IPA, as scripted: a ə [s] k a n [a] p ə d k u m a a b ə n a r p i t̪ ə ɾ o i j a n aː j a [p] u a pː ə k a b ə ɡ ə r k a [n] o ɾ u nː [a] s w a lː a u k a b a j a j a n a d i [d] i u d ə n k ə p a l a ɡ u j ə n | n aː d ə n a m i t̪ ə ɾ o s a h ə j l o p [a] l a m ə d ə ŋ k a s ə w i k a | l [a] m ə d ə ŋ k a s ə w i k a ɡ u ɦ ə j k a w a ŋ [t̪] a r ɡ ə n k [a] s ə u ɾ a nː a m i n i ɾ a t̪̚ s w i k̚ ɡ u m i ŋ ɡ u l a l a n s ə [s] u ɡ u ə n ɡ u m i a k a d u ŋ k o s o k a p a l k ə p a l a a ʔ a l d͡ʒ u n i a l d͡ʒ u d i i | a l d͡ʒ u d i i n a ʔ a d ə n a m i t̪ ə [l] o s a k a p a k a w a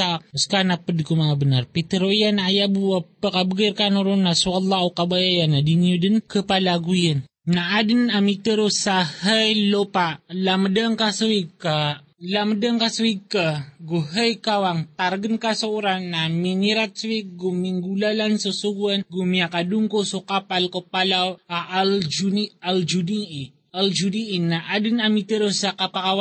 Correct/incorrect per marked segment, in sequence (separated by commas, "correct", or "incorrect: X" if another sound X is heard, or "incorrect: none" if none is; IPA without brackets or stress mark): correct, correct, incorrect: b, correct, correct, incorrect: n, correct, correct, correct, correct, correct, incorrect: ɾ